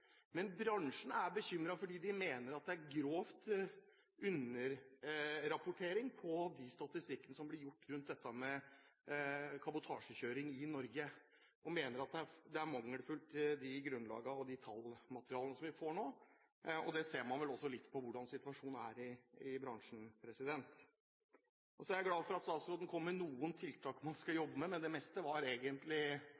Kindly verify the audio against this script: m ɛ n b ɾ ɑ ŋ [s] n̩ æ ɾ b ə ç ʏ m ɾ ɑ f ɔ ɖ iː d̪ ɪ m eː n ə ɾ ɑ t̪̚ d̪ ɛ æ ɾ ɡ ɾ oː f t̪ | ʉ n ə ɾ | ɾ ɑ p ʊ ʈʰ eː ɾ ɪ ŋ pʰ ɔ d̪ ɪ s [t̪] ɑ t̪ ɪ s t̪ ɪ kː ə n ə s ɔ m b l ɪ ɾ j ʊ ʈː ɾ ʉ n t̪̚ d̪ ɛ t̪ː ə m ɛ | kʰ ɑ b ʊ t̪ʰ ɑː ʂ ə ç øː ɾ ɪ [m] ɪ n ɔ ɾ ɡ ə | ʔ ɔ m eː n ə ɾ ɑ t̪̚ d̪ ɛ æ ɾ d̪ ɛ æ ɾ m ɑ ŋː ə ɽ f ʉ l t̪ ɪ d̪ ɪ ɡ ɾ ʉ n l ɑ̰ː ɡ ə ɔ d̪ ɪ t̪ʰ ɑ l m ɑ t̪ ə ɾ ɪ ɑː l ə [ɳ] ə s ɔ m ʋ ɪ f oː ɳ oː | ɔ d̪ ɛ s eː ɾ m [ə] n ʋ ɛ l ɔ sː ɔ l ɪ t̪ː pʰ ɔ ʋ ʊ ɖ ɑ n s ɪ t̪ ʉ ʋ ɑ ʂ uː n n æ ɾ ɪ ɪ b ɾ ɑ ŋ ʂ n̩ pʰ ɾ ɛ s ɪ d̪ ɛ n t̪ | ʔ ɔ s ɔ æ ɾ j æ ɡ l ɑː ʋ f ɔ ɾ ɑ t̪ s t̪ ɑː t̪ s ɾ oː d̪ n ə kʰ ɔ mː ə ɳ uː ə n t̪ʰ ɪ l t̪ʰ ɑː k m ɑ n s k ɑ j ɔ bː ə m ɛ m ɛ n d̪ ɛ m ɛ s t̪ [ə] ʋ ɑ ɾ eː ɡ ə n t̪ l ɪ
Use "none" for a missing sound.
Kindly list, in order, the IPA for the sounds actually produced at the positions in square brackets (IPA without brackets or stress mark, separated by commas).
ʂ, t̪, ŋ, n, ɑ, ə